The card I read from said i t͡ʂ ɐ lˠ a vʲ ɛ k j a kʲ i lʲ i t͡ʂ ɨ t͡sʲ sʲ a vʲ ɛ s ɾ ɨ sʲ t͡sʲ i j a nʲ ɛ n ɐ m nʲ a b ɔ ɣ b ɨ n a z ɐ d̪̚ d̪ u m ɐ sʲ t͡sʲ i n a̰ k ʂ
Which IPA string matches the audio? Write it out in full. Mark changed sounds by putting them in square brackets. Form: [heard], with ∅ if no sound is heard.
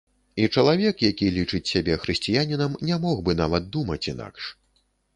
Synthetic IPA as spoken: i t͡ʂ ɐ lˠ a vʲ ɛ k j a kʲ i lʲ i t͡ʂ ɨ t͡sʲ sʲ a [bʲ] ɛ [x] ɾ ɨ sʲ t͡sʲ i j a nʲ [i] n ɐ m nʲ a [m] ɔ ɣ b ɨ n a [v] ɐ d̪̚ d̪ u m ɐ [∅] t͡sʲ i n a̰ k ʂ